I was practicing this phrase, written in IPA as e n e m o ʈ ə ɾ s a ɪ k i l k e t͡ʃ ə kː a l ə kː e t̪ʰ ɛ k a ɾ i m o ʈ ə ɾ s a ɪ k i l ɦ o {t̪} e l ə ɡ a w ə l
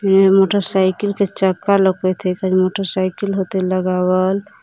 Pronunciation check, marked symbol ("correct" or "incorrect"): correct